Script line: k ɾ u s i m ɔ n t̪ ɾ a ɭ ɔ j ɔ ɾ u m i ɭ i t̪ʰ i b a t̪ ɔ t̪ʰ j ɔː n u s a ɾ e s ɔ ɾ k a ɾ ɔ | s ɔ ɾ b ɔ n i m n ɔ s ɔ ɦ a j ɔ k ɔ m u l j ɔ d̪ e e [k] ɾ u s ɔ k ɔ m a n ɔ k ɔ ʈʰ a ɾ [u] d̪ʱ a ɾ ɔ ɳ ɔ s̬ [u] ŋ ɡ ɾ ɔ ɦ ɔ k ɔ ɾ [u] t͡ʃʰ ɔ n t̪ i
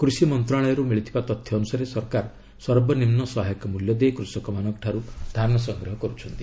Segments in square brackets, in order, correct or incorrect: correct, correct, incorrect, correct

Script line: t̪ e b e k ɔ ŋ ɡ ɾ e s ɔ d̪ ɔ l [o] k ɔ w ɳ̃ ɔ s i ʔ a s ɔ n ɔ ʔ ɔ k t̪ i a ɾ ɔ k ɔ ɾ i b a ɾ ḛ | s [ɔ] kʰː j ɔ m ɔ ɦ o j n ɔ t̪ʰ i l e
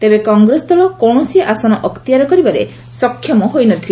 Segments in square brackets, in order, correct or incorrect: incorrect, correct

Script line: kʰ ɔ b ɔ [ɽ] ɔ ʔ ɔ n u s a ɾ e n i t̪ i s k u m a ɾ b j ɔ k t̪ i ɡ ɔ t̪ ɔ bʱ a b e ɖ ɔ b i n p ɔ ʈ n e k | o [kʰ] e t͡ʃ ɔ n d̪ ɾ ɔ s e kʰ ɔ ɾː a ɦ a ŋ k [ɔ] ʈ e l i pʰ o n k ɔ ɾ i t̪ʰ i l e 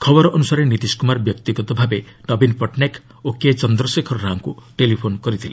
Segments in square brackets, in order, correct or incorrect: incorrect, incorrect, incorrect

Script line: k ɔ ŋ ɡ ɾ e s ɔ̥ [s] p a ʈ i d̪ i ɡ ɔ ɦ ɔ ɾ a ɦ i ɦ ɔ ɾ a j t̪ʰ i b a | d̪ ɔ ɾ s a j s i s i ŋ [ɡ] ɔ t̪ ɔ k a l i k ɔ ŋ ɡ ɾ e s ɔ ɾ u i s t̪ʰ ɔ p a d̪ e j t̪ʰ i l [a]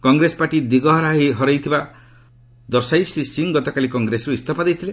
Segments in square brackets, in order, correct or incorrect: incorrect, correct, incorrect

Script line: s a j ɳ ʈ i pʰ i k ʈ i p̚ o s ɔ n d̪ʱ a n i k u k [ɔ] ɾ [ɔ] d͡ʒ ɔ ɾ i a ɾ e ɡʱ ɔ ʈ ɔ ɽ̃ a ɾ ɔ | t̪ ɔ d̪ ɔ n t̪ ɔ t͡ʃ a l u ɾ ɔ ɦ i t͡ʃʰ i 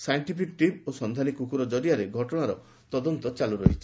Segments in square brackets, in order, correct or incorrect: incorrect, correct

